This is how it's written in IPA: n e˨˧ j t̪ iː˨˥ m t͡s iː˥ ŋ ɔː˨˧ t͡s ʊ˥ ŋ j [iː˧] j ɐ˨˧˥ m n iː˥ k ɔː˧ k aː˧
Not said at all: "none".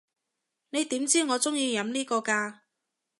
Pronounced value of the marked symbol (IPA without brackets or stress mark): iː˧